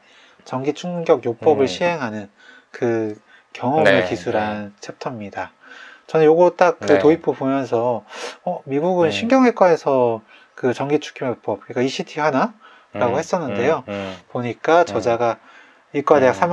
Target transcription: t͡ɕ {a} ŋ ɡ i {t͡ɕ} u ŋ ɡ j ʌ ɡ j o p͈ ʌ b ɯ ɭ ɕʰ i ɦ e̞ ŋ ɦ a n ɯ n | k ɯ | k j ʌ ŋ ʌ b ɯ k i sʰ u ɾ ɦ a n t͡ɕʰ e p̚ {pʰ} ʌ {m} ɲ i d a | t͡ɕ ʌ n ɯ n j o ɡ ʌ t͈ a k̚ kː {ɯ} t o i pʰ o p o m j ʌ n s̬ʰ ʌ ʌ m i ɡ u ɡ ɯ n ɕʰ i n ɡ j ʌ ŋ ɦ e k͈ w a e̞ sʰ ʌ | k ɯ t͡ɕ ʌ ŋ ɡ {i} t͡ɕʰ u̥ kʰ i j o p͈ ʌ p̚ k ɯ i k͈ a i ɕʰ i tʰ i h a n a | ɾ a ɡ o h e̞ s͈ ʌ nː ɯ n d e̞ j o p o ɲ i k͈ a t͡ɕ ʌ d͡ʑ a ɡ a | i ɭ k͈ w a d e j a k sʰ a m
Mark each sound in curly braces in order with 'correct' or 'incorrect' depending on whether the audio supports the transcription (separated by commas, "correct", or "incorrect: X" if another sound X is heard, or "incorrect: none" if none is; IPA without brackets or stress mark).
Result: incorrect: ʌ, incorrect: t͡ɕʰ, incorrect: tʰ, correct, correct, correct